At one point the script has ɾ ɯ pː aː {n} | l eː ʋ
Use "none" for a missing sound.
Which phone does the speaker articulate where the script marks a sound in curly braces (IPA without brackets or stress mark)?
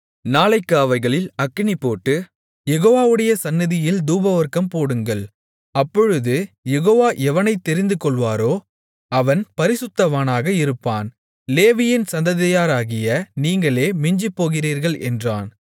n